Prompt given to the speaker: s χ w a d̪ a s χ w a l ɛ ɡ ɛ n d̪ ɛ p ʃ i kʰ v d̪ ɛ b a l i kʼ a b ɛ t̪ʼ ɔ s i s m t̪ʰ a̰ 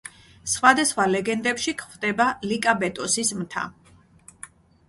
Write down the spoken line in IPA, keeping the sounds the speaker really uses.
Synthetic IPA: s χ w a d̪ a s χ w a l ɛ ɡ ɛ n d̪ ɛ p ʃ i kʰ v d̪ ɛ b a l i kʼ a b ɛ t̪ʼ ɔ s i s m t̪ʰ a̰